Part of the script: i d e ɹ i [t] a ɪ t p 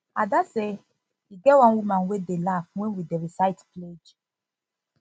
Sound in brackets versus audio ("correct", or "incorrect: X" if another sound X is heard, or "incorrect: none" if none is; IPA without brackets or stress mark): incorrect: s